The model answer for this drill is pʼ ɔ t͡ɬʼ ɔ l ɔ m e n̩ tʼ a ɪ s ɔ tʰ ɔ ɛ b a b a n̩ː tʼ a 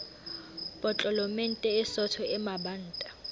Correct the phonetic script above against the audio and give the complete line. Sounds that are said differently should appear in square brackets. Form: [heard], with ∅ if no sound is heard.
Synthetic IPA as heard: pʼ ɔ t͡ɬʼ ɔ l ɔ m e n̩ tʼ [ɛ] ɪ s ɔ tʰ ɔ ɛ [m] a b a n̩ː tʼ a